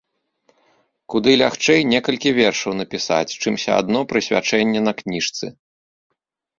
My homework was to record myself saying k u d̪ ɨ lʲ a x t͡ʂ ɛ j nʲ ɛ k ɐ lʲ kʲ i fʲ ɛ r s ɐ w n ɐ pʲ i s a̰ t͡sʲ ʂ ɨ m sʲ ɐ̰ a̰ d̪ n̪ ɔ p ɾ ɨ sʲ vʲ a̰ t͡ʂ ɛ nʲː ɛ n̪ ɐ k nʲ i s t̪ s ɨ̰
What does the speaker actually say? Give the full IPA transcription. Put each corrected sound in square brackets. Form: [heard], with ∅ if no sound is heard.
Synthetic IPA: k u d̪ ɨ lʲ a x t͡ʂ ɛ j nʲ ɛ k ɐ lʲ kʲ i [vʲ] ɛ r [ʂ] ɐ w n ɐ pʲ i s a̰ t͡sʲ [t͡ʂ] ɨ m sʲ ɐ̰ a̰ d̪ n̪ ɔ p ɾ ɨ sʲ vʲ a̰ t͡ʂ ɛ nʲː ɛ n̪ ɐ k nʲ i [ʂ] t̪ s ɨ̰